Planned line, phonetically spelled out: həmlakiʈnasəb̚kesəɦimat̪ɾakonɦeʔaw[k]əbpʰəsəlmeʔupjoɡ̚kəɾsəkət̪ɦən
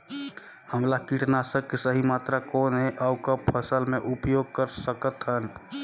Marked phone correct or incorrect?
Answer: correct